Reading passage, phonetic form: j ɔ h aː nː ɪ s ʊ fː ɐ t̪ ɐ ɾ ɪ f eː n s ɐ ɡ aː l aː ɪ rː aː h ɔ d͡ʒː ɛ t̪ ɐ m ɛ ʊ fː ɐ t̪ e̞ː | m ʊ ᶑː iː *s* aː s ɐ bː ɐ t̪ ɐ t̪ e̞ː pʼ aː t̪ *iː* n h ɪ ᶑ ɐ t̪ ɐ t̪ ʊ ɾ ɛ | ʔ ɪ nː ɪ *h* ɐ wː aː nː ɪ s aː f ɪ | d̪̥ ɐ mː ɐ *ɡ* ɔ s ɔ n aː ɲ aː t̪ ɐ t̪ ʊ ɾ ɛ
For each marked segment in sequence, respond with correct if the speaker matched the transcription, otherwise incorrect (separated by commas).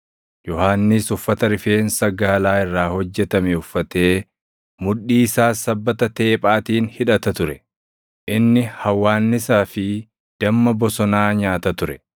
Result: correct, correct, correct, incorrect